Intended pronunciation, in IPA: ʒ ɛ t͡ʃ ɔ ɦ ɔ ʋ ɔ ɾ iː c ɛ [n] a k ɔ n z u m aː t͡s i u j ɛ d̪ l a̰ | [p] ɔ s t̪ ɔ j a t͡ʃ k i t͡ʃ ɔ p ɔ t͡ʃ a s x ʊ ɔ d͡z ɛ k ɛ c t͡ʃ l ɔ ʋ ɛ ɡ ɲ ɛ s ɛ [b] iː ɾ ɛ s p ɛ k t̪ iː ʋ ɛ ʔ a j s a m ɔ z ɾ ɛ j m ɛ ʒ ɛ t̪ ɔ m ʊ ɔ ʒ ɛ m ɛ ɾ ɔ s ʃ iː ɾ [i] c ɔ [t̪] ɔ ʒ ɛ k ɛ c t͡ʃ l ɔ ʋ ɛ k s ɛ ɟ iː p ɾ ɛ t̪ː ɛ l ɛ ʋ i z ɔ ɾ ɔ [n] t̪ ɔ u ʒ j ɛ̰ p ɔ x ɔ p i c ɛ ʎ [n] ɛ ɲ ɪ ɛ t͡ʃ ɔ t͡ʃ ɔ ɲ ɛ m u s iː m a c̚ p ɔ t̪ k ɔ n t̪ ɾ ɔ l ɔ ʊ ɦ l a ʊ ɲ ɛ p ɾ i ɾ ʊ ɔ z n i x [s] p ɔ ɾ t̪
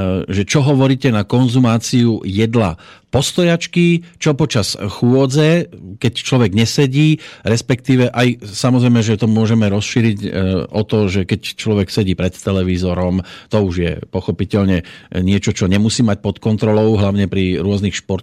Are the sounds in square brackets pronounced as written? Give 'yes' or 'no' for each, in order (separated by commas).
yes, yes, no, yes, yes, no, no, no